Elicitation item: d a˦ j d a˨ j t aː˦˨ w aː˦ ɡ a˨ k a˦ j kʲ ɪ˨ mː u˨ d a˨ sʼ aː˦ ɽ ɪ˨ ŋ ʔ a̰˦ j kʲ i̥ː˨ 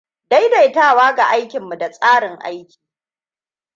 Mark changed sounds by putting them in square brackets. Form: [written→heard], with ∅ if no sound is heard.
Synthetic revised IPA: d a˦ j d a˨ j t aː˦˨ w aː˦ ɡ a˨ [k→ʔ] a˦ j kʲ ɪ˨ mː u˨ d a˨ sʼ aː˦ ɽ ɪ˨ ŋ ʔ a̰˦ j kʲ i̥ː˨